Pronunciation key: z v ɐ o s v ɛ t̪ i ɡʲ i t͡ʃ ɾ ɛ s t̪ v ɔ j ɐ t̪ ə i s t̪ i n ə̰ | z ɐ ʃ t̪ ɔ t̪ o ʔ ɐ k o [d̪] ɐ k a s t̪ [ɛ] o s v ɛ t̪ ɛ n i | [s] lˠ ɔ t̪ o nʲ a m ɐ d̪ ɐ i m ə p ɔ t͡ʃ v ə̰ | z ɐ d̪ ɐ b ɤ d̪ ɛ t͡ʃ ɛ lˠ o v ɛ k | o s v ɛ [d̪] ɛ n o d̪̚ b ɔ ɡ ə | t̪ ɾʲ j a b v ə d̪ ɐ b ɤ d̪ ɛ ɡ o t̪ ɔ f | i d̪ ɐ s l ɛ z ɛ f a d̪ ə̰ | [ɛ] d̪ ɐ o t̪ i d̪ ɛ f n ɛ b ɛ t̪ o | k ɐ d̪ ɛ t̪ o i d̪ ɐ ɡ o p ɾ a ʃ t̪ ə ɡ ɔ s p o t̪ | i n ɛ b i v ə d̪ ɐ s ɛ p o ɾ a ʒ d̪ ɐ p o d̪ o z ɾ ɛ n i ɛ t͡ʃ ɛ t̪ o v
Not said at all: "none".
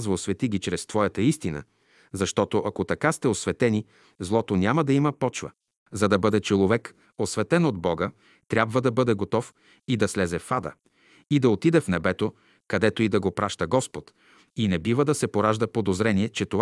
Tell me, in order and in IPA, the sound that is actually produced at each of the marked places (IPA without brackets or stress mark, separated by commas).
t̪, ɛ, z, t̪, i